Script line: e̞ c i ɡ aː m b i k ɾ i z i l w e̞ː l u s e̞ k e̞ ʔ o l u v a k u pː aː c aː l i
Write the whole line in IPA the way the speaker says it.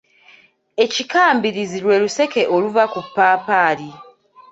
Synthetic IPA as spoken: e̞ c i k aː m b i ɾ i z i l w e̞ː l u s e̞ k e̞ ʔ o l u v a k u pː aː p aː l i

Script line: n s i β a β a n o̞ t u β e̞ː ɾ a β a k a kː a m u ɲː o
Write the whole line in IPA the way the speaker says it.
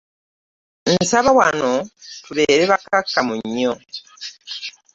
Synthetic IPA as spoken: n s a β a w a n o̞ t u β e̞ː ɾ e β a k a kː a m u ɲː o

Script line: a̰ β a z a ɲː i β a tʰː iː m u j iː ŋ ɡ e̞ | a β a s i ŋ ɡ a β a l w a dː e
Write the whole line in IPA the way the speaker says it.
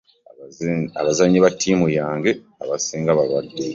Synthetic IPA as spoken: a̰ β a z a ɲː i β a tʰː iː m u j aː ŋ ɡ e̞ | a β a s iː ŋ ɡ a β a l w a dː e

